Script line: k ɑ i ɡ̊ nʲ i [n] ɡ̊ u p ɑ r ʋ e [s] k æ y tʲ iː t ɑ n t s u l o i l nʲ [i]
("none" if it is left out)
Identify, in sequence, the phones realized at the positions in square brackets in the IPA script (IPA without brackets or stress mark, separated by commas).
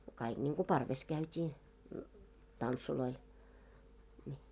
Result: ŋ, s, i